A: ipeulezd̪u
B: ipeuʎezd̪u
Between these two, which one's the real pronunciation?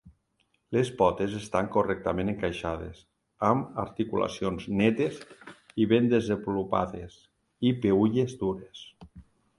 B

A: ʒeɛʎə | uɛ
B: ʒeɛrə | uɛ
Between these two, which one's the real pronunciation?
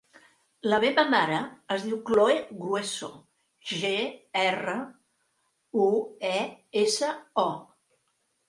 B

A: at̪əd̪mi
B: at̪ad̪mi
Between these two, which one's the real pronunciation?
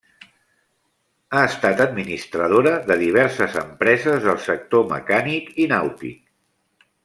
A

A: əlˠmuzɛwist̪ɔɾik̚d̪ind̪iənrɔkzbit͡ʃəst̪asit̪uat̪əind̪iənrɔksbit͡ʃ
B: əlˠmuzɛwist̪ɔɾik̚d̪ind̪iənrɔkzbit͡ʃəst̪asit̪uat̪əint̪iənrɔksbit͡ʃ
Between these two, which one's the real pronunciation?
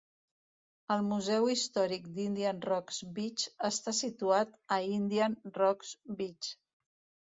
A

